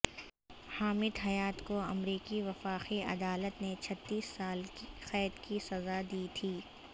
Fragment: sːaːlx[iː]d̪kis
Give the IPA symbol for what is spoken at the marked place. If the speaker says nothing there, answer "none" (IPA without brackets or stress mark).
ɛː